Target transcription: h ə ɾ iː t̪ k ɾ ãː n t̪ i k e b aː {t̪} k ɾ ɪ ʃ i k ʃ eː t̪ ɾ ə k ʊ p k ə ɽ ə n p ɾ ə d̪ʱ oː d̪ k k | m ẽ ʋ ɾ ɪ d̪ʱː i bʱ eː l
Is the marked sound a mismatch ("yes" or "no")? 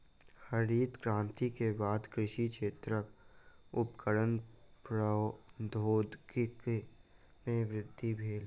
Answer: yes